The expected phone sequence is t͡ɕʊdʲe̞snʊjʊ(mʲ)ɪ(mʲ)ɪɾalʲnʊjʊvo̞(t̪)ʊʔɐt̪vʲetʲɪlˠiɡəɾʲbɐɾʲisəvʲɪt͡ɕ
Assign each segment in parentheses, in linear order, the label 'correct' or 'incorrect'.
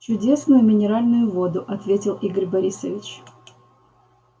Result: correct, incorrect, incorrect

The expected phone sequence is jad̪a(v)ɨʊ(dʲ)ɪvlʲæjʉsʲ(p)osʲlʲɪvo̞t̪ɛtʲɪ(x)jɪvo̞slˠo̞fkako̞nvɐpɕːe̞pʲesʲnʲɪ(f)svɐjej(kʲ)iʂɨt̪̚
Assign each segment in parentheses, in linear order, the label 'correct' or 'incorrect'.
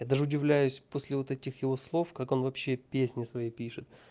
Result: incorrect, correct, correct, correct, incorrect, incorrect

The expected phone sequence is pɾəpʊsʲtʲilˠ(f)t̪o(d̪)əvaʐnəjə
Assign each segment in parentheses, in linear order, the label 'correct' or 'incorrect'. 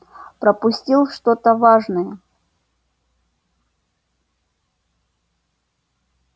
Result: incorrect, incorrect

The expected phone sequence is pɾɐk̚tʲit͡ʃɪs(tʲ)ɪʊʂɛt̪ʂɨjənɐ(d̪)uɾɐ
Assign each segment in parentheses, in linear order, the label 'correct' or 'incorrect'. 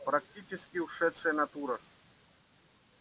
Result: incorrect, incorrect

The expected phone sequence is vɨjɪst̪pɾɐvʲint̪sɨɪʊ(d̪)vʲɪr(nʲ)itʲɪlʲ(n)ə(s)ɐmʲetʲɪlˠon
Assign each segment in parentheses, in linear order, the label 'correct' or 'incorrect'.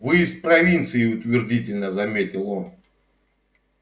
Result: incorrect, incorrect, correct, incorrect

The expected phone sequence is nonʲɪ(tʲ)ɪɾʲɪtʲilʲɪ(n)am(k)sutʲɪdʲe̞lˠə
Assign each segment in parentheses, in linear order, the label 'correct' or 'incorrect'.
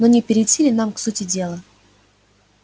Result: incorrect, correct, correct

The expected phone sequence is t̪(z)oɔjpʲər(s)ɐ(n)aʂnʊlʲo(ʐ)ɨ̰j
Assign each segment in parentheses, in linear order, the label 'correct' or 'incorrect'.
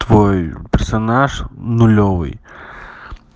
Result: incorrect, correct, correct, incorrect

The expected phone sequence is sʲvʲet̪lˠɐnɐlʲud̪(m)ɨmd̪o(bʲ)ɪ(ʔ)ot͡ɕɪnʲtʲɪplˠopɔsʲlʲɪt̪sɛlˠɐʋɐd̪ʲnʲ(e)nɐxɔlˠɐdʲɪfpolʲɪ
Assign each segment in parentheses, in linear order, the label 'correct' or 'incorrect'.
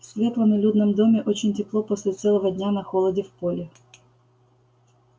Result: incorrect, incorrect, correct, incorrect

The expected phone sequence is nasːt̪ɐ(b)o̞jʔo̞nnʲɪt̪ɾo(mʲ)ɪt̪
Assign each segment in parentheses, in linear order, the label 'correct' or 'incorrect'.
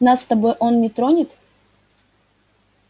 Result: correct, incorrect

